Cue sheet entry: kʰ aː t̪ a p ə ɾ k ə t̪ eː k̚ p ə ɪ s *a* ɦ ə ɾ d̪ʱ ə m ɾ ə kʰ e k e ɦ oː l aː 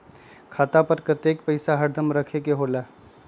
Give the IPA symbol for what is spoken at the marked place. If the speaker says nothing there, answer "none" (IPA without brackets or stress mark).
a